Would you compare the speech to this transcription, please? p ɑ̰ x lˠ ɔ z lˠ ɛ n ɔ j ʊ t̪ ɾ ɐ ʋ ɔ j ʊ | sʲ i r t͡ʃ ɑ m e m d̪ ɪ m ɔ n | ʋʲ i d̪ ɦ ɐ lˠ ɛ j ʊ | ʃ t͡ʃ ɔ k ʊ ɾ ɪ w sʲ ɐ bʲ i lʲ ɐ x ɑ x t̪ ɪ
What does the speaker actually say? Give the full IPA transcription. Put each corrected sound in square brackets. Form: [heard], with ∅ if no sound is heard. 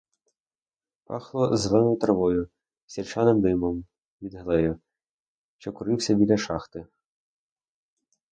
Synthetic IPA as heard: p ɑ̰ x lˠ ɔ z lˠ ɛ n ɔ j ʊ t̪ ɾ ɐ ʋ ɔ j ʊ | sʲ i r t͡ʃ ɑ [n] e m d̪ ɪ m ɔ [m] | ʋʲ i d̪ ɦ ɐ lˠ ɛ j ʊ | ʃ t͡ʃ ɔ k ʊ ɾ ɪ w sʲ ɐ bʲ i lʲ ɐ [ʃ] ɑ x t̪ ɪ